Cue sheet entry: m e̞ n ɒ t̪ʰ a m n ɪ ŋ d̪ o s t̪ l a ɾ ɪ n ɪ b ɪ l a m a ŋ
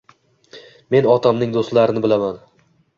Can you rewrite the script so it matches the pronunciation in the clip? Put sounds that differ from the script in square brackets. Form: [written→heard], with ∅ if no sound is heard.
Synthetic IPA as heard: m e̞ n ɒ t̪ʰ a m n ɪ ŋ d̪ o s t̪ l a ɾ ɪ n ɪ b ɪ l a m a [ŋ→n]